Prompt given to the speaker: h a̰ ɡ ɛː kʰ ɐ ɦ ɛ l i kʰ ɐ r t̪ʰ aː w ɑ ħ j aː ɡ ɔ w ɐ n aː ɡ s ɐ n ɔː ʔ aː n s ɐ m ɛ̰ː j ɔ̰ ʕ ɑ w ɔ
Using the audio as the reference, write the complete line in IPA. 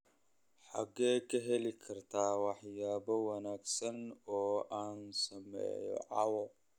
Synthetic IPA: ħ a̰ ɡ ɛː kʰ ɐ ɦ ɛ l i kʰ ɐ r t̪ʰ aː w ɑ ħ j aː b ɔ w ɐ n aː ɡ s ɐ n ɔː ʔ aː n s ɐ m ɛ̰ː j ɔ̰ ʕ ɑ w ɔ

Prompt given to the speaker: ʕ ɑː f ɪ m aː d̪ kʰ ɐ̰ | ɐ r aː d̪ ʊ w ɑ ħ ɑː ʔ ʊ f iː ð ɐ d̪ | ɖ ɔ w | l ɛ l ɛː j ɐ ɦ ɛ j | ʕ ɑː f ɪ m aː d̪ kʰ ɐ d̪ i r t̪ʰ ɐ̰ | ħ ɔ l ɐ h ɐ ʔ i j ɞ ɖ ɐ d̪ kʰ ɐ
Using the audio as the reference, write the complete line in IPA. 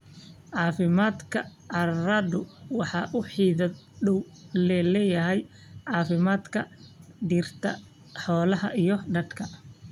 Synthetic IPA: ʕ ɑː f ɪ m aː d̪ kʰ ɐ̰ | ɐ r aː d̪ ʊ w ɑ ħ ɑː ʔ ʊ ħ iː ð ɐ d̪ | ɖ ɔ w | l ɛ l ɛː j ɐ ɦ ɛ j | ʕ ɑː f ɪ m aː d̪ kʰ ɐ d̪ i r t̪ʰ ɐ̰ | ħ ɔː l ɐ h ɐ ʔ i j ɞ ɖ ɐ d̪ kʰ ɐ

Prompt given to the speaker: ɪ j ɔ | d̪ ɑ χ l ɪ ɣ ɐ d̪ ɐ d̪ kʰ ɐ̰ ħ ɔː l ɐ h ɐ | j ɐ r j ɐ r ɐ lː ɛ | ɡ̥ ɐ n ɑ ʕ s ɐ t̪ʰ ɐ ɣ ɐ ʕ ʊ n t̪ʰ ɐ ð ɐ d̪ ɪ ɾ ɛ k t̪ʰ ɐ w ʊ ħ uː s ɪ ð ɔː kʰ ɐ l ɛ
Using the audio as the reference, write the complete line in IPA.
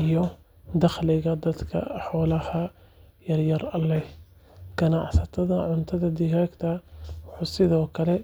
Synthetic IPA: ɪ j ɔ | d̪ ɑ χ l ɪ ɣ ɐ d̪ ɐ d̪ kʰ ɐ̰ ħ ɔː l ɐ h ɐ | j ɐ r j ɐ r ɐ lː ɛ | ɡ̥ ɐ n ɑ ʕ s ɐ t̪ʰ ɐ ð ɐ ʕ ʊ n t̪ʰ ɐ ð ɐ d̪ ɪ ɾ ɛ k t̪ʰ ɐ w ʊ ħ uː s ɪ ð ɔː kʰ ɐ l ɛ

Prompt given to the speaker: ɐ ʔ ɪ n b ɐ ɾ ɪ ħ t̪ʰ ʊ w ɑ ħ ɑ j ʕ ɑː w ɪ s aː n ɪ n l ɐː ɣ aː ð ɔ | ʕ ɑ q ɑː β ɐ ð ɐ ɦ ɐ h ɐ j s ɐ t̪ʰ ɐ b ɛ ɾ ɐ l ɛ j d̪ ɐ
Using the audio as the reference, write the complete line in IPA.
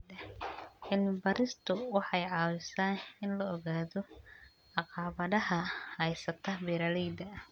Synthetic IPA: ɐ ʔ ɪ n b ɐ ɾ ɪ s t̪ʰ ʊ w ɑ ħ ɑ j ʕ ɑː w ɪ s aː n ɪ n l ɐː ɣ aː ð ɔ | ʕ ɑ q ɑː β ɐ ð ɐ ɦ ɐ h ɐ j s ɐ t̪ʰ ɐ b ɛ ɾ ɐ l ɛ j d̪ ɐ

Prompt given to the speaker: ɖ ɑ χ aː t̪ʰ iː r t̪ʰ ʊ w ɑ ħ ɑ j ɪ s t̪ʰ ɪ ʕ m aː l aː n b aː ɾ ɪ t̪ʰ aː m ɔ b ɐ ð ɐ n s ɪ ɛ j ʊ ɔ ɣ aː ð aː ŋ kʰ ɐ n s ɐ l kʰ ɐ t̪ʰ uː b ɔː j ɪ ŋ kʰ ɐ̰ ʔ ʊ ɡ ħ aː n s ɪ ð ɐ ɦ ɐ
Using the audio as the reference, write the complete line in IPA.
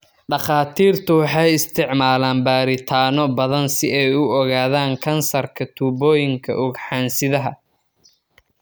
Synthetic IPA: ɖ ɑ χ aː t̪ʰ iː r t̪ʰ ʊ w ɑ ħ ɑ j ɪ s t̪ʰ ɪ ʕ m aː l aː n b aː ɾ ɪ t̪ʰ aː n ɔ b ɐ ð ɐ n s ɪ ɛ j ʊ ɔ ɣ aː ð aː ŋ kʰ ɐ n s ɐ r kʰ ɐ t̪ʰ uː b ɔː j ɪ ŋ kʰ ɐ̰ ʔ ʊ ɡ ħ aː n s ɪ ð ɐ ɦ ɐ

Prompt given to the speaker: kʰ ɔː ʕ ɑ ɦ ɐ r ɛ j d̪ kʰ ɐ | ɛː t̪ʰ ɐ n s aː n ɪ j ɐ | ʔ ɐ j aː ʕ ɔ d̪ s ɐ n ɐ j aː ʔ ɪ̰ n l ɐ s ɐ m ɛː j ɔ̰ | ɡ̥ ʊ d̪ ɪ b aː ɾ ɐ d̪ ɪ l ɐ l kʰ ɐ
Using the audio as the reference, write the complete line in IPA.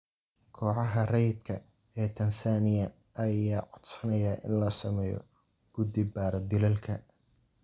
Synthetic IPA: kʰ ɔː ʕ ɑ ɦ ɐ r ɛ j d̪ kʰ ɐ | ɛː t̪ʰ ɐ n s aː n ɪ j ɐ | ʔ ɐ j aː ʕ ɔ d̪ s ɐ n ɐ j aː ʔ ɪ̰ n l ɐ s ɐ m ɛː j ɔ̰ | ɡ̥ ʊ d̪ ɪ b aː ɾ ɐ d̪ ɪ l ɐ l kʰ ɐ

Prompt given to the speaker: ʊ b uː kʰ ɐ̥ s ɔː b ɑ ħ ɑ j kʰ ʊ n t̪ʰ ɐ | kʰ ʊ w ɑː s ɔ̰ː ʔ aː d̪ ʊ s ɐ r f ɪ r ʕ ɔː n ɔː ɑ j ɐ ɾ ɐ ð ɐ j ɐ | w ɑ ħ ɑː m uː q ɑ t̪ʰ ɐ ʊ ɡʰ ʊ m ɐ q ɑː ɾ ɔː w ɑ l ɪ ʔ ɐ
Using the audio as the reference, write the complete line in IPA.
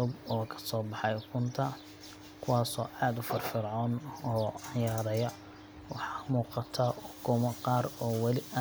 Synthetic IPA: ʊ b ɔː kʰ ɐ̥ s ɔː b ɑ ħ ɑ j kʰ ʊ n t̪ʰ ɐ | kʰ ʊ w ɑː s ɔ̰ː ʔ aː d̪ ʊ f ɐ r f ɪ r ʕ ɔː n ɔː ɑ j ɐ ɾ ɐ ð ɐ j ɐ | w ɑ ħ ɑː m uː q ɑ t̪ʰ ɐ ʊ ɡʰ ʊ m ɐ q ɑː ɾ ɔː w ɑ l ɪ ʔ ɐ

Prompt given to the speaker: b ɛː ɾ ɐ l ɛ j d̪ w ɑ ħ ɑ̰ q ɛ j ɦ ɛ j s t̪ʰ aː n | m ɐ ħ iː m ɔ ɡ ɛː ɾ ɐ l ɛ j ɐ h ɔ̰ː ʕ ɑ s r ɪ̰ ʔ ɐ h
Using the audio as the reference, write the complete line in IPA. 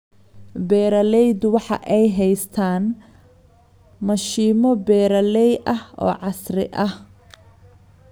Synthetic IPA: b ɛː ɾ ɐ l ɛ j d̪ w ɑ ħ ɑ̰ ʔ ɛ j ɦ ɛ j s t̪ʰ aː n | m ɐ ʃ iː m ɔ b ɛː ɾ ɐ l ɛ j ɐ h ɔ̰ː ʕ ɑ s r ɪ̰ ʔ ɐ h

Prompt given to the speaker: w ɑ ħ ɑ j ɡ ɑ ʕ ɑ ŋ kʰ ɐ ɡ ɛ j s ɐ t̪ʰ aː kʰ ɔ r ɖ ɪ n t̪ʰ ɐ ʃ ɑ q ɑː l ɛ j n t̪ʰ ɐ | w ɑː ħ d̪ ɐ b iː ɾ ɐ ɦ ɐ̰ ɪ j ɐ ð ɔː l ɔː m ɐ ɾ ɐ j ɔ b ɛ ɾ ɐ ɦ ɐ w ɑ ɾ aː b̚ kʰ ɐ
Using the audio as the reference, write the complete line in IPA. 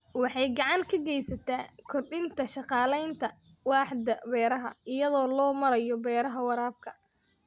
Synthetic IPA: w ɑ ħ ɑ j ɡ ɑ ʕ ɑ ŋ kʰ ɐ ɡ ɛ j s ɐ t̪ʰ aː kʰ ɔ r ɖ ɪ n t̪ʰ ɐ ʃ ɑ q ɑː l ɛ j n t̪ʰ ɐ | w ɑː ħ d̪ ɐ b ɛː ɾ ɐ ɦ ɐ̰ ɪ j ɐ ð ɔː l ɔː m ɐ ɾ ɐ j ɔ b ɛː ɾ ɐ ɦ ɐ w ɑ ɾ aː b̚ kʰ ɐ

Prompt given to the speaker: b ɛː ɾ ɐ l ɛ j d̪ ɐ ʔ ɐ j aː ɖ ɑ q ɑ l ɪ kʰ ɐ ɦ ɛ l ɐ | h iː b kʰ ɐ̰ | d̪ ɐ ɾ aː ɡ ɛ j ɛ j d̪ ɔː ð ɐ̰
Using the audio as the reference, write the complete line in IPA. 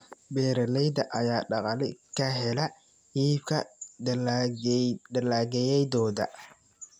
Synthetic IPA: b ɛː ɾ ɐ l ɛ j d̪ ɐ ʔ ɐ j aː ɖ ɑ q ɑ l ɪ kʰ ɐ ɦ ɛ l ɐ | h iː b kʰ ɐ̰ | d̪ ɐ l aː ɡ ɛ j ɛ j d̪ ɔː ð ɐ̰

